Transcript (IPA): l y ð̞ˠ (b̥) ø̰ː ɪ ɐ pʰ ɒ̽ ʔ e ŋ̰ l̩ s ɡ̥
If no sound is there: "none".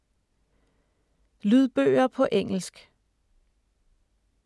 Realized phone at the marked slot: b̥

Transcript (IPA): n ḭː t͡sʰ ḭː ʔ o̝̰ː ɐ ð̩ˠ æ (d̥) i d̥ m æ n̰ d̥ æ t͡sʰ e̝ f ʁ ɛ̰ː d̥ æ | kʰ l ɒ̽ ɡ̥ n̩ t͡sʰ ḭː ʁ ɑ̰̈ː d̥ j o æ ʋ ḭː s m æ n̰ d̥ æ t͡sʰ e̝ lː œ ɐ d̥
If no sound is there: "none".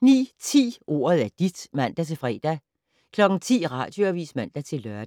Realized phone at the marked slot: d̥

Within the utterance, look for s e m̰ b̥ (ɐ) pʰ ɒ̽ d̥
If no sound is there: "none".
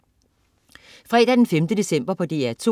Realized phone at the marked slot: ɐ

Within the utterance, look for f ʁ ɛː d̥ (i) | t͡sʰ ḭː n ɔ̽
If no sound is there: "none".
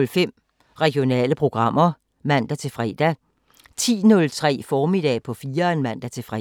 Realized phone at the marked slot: æ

